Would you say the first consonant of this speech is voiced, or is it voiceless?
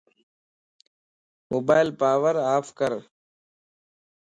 voiced